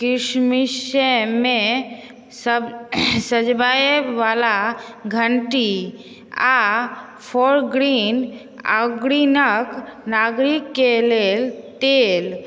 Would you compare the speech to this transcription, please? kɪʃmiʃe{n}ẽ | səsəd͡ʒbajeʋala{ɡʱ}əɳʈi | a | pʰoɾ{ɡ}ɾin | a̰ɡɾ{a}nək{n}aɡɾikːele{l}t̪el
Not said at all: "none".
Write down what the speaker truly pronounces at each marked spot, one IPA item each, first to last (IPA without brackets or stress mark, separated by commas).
m, ɡʱ, ɡ, i, n, l